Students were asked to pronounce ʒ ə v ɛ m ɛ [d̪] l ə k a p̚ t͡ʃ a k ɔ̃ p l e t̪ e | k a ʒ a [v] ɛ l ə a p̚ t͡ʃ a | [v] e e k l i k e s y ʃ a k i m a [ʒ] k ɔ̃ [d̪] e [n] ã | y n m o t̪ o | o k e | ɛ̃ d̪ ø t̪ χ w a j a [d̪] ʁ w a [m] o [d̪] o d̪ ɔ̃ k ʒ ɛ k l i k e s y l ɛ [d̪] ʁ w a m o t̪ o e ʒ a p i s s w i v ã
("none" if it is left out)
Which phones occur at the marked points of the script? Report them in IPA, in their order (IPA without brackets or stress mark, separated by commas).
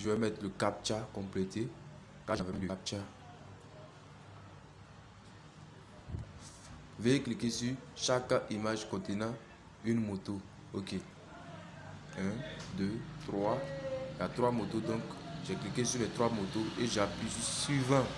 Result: t̪, v, v, ʒ, t̪, n, t̪, m, t̪, t̪